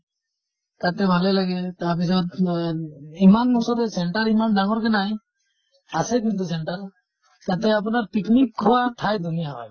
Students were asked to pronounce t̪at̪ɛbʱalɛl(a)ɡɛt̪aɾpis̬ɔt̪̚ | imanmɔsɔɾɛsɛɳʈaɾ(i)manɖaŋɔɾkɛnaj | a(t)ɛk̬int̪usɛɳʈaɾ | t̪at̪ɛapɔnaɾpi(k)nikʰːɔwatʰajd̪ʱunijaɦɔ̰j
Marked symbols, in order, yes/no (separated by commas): yes, yes, no, yes